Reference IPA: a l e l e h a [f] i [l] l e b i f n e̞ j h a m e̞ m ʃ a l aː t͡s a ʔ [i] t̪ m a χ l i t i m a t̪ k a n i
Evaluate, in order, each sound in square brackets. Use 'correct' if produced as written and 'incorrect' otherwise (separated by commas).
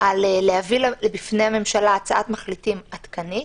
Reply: incorrect, correct, incorrect